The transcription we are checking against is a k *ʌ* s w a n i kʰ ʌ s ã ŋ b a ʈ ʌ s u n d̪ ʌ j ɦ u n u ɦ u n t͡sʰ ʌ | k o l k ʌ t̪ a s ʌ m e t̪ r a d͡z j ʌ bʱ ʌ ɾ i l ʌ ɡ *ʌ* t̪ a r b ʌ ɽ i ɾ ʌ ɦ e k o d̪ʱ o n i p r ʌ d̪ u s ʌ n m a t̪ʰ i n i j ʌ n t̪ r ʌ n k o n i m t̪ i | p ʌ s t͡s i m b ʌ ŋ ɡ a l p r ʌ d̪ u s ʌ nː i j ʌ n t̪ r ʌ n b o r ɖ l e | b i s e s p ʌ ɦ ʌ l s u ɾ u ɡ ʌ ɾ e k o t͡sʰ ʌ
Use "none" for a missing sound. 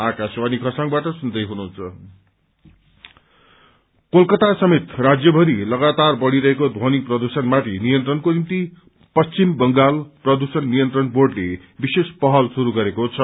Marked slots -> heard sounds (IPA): a, a

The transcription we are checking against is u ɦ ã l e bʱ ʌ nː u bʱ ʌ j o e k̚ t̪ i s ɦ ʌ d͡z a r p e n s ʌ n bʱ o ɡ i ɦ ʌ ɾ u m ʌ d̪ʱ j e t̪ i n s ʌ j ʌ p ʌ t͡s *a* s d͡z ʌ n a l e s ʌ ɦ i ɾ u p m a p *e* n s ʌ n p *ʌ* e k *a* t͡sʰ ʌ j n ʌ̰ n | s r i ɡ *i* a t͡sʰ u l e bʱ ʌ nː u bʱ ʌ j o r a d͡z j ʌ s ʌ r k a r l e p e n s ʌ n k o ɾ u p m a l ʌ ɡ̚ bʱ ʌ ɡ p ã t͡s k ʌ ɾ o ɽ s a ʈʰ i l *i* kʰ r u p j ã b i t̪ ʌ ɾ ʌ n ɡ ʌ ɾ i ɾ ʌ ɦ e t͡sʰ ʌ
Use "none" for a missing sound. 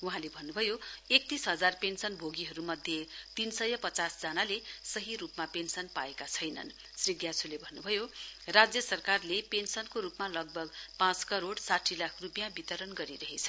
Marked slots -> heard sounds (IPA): a, e, a, a, j, a

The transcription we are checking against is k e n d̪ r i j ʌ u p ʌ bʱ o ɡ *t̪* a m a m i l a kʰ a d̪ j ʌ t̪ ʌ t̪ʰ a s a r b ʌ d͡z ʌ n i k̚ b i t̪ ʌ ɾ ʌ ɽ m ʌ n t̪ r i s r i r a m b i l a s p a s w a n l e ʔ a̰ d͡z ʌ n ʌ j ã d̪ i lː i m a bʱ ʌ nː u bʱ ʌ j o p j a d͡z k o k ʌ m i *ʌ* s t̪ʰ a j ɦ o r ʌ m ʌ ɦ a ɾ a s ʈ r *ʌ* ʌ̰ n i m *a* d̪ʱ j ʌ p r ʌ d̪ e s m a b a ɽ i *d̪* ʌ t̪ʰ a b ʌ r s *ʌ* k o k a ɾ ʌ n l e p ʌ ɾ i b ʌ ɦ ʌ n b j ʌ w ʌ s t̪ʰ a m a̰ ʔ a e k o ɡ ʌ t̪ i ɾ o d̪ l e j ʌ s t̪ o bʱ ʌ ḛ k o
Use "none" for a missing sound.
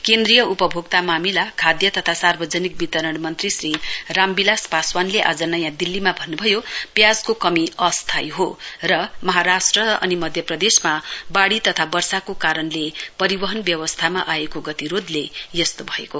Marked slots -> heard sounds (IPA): t̪, ʌ, ʌ, ʌ, t̪, a

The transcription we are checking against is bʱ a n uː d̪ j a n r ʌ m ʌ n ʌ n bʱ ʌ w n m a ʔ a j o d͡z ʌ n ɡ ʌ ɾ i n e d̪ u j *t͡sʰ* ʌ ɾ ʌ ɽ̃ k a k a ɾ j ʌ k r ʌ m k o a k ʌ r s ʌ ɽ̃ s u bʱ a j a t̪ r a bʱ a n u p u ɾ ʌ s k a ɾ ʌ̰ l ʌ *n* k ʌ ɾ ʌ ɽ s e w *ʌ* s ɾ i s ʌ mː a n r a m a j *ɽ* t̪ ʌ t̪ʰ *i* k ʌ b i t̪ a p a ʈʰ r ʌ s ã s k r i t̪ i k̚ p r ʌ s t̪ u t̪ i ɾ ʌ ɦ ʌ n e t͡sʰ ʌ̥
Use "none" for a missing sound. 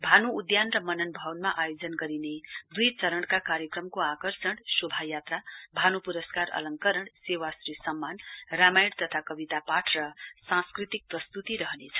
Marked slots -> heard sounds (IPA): t͡s, ŋ, a, ɽ, a

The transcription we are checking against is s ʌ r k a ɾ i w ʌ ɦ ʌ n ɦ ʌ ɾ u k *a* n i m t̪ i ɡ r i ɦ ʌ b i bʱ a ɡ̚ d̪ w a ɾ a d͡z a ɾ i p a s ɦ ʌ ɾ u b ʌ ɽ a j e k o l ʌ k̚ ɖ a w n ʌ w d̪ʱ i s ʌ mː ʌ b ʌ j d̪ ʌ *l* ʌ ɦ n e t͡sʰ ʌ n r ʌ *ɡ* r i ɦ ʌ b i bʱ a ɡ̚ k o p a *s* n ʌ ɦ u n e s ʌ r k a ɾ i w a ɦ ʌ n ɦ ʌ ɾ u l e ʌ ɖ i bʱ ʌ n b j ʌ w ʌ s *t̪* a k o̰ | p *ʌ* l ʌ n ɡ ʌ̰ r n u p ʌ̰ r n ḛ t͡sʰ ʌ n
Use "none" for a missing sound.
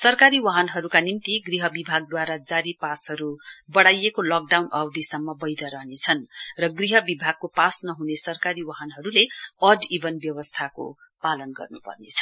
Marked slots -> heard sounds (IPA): a, ɾ, ɡ, s, t̪ʰ, a

